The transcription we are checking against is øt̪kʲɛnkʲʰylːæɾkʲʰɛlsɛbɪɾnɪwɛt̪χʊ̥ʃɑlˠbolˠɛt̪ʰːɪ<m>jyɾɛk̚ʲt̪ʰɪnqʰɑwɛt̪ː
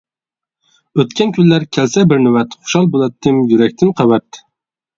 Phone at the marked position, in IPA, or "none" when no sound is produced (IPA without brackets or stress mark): m